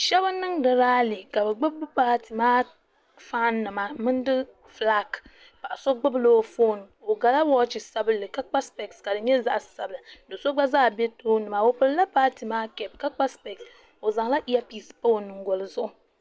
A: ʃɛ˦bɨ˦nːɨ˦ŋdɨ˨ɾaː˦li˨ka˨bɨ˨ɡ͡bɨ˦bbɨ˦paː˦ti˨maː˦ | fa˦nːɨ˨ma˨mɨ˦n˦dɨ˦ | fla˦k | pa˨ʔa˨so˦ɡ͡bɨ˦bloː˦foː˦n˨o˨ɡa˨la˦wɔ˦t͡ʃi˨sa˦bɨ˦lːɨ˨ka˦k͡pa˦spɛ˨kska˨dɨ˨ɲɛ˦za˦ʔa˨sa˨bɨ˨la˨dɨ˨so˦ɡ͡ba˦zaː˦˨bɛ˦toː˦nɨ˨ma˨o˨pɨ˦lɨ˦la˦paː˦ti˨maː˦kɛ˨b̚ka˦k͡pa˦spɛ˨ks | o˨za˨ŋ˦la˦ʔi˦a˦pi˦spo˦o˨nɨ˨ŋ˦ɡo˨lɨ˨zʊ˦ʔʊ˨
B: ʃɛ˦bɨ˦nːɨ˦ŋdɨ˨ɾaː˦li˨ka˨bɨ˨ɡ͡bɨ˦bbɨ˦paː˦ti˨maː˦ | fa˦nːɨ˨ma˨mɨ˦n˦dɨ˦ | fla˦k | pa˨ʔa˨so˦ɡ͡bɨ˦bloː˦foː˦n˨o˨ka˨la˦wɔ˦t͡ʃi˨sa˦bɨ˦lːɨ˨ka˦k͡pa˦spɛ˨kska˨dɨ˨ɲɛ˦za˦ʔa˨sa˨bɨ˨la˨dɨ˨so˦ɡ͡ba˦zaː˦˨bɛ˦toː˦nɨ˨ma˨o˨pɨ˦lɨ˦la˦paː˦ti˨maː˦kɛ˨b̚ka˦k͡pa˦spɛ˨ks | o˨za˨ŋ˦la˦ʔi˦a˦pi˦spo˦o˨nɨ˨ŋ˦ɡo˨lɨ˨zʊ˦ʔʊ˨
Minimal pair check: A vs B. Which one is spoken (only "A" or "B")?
A